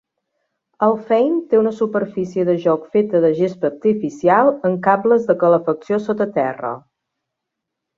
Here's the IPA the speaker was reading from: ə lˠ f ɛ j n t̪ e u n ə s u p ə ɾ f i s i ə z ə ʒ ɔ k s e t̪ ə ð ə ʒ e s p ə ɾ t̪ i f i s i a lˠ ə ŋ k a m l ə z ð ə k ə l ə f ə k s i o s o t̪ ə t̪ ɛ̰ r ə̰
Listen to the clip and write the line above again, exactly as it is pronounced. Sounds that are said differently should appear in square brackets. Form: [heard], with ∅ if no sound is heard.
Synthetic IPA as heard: ə lˠ f ɛ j n t̪ e u n ə s u p ə ɾ f i s i ə [ð] ə ʒ ɔ k [f] e t̪ ə ð ə ʒ e s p ə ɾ t̪ i f i s i a lˠ ə ŋ k a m l ə z ð ə k ə l ə f ə k s i o s o t̪ ə t̪ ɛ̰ r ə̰

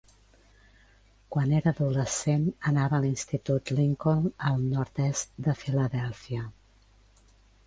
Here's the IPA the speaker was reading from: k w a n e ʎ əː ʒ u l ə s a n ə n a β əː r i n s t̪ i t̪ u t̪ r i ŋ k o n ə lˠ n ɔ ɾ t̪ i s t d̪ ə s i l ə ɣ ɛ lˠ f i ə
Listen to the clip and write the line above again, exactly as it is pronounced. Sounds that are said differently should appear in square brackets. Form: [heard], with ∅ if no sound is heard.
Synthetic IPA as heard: k w a n e [ɾ] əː [ð] u l ə s [e] n ə n a β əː [l] i n s t̪ i t̪ u t̪ [l] i ŋ k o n ə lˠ n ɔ ɾ t̪ [ɛ] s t d̪ ə [f] i l ə [ð] ɛ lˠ f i ə

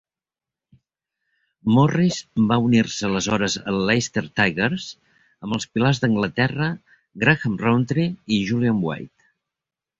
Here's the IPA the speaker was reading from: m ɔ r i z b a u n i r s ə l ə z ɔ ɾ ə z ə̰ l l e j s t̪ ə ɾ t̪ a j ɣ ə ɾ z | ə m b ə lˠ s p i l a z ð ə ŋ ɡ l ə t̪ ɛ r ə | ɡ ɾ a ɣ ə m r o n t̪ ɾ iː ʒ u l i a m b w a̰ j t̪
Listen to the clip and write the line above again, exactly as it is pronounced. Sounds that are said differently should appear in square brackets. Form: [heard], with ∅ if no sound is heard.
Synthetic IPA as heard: m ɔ r i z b a u n i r s ə l ə z ɔ ɾ ə z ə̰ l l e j s t̪ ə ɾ t̪ a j ɣ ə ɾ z | ə m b ə lˠ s p i l a z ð ə ŋ ɡ l ə t̪ ɛ r ə | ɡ ɾ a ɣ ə m r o n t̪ ɾ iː ʒ u l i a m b w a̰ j t̪

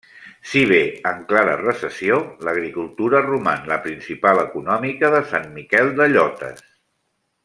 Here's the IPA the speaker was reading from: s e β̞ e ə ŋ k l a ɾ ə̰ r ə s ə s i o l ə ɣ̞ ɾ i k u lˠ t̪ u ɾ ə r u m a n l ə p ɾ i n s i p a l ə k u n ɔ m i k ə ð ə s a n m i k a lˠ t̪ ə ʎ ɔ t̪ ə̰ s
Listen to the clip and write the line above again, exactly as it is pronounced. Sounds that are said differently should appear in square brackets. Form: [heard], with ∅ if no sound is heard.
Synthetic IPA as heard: s [i] β̞ e ə ŋ k l a ɾ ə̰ r ə s ə s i o l ə ɣ̞ ɾ i k u lˠ t̪ u ɾ ə r u m a n l ə p ɾ i n s i p a l ə k u n ɔ m i k ə ð ə s a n m i k [ɛ] lˠ [d̪] ə ʎ ɔ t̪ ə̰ s

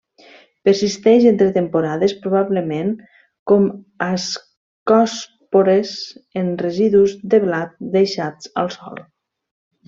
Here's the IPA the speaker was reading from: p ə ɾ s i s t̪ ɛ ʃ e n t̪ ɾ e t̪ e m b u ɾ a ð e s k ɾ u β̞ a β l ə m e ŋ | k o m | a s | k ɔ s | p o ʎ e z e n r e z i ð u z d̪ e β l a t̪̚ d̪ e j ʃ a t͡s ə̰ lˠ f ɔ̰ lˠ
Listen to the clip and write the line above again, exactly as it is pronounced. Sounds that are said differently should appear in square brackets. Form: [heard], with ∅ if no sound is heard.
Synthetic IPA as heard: p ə ɾ s i s t̪ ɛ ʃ e n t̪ ɾ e t̪ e m [p] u ɾ a ð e s [p] ɾ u β̞ a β l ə m e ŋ | k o m | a s | k ɔ s | p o [ɾ] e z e n r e z i ð u z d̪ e β l a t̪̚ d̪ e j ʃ a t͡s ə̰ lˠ [s] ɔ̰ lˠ

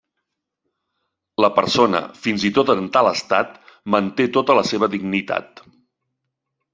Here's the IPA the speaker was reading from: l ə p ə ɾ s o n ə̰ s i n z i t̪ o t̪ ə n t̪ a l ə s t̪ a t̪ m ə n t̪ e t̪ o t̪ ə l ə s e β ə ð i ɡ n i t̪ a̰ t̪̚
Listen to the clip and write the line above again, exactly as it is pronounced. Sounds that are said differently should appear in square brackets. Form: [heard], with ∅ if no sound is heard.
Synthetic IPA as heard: l ə p ə ɾ s o n ə̰ [f] i n z i t̪ o t̪ ə n t̪ a l ə s t̪ a t̪ m ə n t̪ e t̪ o t̪ ə l ə s e β ə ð i ɡ n i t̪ a̰ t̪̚

